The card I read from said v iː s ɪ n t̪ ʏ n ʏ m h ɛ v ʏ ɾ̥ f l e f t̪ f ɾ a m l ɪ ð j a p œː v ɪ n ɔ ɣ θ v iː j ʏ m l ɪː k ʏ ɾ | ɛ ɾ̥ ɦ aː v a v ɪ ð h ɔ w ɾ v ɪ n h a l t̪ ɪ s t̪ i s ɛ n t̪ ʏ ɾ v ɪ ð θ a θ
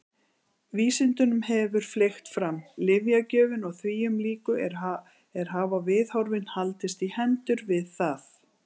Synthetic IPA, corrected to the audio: v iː s ɪ n t̪ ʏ n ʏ m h ɛ v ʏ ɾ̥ f l e x t̪ f ɾ a m l ɪ v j a c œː v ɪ n ɔ ɣ θ v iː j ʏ m l iː k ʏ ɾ | ɛ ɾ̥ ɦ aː v a v ɪ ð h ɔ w ɾ v ɪ n h a l t̪ ɪ s t̪ i h ɛ n t̪ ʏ ɾ v ɪ ð θ a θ